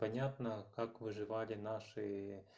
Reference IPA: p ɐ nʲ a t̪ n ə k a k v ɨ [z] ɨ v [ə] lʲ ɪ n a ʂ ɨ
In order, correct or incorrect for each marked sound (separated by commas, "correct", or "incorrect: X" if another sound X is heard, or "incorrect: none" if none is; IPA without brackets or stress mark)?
incorrect: ʐ, incorrect: a